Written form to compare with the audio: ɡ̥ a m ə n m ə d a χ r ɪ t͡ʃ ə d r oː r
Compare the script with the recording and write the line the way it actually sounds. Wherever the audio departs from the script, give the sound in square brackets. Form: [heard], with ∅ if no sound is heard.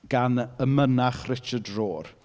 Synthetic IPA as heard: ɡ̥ a [n] ə [∅] m ə [n] a χ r ɪ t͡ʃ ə d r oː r